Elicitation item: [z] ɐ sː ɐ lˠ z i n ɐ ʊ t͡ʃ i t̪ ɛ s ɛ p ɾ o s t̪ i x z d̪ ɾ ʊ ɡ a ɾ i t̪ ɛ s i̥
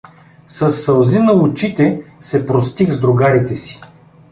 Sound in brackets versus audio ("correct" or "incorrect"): incorrect